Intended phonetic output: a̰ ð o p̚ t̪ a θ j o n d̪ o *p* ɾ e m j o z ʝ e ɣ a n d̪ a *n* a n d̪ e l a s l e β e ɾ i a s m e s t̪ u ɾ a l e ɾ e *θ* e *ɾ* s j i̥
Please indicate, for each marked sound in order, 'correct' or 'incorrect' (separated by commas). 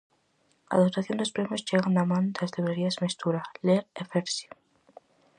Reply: correct, incorrect, incorrect, correct